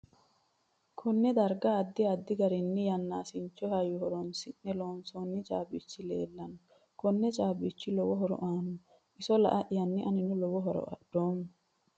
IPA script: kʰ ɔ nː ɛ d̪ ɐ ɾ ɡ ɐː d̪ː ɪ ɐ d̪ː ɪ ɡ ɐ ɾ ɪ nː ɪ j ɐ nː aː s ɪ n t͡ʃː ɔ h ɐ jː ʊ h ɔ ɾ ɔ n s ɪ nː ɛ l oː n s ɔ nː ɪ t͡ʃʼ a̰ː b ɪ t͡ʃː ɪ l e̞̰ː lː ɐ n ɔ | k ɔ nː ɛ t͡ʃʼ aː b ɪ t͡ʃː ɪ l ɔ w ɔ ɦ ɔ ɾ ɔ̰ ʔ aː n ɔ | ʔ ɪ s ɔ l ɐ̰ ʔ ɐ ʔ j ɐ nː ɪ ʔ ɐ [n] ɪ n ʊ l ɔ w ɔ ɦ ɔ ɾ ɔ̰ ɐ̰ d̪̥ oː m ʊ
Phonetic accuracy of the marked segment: correct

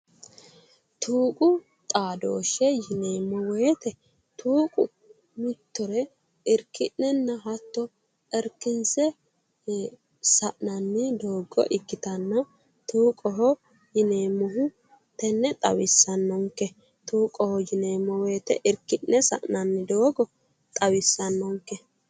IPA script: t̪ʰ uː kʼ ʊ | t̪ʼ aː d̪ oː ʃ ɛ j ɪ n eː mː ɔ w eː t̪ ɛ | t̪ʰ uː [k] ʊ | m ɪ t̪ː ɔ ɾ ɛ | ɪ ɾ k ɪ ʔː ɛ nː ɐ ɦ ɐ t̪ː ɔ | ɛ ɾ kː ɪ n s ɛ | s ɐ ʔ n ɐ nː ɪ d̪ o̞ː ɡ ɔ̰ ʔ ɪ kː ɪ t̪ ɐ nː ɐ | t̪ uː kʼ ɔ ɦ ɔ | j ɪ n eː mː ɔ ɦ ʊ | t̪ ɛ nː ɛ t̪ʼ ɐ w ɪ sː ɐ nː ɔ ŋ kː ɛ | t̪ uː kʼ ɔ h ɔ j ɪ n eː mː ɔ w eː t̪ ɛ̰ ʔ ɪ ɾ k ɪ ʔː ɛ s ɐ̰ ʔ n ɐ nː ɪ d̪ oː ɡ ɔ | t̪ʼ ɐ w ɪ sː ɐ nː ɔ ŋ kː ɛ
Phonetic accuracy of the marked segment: incorrect: kʼ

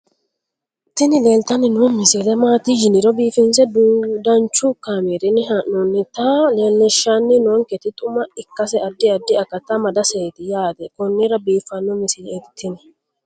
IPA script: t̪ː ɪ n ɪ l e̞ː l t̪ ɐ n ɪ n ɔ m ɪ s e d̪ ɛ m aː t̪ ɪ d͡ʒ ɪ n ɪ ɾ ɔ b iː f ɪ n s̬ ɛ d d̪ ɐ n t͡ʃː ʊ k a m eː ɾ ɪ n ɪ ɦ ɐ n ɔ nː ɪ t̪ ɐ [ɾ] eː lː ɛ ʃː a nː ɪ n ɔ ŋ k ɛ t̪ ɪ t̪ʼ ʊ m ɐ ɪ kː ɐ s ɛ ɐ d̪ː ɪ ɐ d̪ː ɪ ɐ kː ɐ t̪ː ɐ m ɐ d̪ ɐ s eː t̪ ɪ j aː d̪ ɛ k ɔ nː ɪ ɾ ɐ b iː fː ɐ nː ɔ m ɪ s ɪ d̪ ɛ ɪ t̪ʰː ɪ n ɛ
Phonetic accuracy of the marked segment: incorrect: l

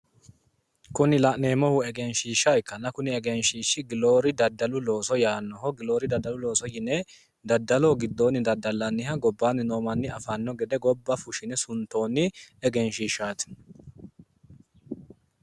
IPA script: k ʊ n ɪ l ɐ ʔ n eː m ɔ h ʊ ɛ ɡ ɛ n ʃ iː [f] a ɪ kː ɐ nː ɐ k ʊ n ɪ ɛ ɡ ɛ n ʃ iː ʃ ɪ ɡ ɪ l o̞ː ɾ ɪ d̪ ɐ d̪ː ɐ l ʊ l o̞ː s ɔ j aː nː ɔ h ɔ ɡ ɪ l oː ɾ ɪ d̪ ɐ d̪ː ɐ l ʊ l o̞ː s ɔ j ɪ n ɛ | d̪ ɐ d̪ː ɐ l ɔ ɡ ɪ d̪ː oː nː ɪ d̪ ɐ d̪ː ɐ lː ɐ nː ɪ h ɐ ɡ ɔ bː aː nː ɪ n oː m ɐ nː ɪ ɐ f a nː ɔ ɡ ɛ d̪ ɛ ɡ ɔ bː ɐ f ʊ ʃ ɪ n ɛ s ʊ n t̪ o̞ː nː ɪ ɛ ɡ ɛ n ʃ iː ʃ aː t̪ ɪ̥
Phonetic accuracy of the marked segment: incorrect: ʃ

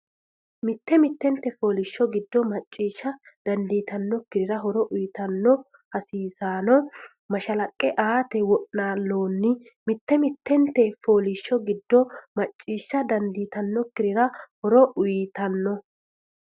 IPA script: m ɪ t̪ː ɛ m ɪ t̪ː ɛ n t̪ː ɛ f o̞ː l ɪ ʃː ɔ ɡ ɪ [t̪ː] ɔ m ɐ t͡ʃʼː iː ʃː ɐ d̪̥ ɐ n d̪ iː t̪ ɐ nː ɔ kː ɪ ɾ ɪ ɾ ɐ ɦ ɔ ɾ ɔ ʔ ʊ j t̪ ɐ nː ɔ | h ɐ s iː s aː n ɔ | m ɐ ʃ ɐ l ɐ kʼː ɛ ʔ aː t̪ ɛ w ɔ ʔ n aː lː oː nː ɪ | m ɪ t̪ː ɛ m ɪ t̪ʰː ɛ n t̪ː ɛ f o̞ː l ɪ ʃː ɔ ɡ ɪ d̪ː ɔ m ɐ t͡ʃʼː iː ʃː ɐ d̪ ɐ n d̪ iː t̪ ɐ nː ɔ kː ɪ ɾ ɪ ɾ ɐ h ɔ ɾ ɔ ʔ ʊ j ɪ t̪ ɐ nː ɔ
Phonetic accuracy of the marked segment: incorrect: d̪ː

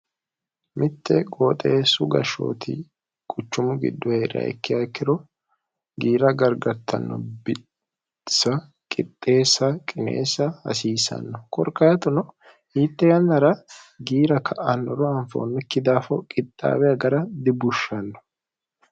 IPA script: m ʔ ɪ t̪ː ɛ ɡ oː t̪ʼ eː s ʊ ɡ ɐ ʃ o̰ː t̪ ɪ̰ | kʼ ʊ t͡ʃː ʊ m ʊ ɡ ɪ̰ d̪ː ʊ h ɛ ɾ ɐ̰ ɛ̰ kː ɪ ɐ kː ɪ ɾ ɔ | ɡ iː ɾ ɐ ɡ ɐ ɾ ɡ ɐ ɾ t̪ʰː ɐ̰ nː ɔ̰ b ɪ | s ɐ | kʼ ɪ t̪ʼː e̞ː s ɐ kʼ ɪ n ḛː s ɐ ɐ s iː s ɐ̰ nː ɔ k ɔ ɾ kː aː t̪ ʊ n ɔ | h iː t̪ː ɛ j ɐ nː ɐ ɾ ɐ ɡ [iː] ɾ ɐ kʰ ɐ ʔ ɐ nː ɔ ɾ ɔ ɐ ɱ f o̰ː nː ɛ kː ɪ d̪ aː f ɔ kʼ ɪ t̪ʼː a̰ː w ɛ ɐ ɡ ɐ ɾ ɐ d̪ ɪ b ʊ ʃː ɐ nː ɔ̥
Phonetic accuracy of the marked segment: correct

